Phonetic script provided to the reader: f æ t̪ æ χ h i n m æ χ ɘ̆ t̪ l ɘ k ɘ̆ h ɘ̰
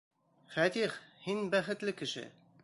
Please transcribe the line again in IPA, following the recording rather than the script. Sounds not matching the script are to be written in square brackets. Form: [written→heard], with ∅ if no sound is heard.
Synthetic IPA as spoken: f æ t̪ [æ→i] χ h i n [m→b] æ χ ɘ̆ t̪ l ɘ k ɘ̆ [h→ʃ] ɘ̰